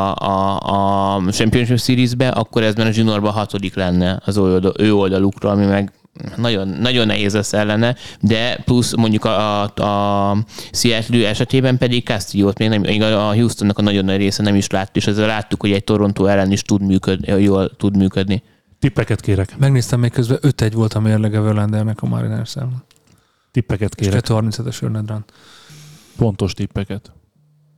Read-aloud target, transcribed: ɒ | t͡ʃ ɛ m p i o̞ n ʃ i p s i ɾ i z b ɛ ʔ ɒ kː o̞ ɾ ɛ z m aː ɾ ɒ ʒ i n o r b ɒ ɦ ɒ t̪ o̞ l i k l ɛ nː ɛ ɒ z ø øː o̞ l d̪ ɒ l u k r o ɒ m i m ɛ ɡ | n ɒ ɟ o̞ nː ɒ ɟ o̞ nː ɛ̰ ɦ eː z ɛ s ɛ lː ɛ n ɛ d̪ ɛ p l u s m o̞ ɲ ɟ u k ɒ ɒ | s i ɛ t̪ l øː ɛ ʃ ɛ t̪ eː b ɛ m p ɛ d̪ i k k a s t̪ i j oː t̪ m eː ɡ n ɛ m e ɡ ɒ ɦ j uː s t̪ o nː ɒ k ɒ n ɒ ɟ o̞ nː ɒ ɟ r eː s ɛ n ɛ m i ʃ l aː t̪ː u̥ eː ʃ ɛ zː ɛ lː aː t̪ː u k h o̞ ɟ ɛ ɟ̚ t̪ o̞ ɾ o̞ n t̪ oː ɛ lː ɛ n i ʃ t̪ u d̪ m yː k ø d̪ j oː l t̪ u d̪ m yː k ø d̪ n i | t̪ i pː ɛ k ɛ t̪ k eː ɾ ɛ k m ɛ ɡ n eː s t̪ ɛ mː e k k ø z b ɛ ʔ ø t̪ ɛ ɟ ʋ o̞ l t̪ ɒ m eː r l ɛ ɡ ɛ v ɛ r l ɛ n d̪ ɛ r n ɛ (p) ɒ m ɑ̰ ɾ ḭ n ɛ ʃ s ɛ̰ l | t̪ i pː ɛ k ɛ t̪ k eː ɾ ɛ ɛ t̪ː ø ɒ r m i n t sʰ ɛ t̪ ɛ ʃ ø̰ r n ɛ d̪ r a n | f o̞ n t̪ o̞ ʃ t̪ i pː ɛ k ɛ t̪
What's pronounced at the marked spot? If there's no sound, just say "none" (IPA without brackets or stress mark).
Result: k